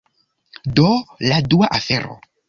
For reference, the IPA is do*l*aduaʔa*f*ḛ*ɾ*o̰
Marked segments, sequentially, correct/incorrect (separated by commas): correct, correct, correct